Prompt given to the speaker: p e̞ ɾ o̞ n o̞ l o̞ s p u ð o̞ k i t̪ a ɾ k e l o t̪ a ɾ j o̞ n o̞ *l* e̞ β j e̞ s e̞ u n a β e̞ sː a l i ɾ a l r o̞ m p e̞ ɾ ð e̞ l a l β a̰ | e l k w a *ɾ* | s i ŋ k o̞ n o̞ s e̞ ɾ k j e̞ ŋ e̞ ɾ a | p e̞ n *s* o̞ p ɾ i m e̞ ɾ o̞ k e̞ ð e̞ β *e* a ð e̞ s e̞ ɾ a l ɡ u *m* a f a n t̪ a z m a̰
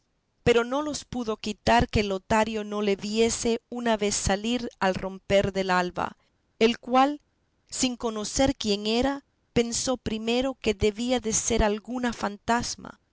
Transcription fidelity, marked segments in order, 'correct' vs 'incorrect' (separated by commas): correct, incorrect, correct, incorrect, incorrect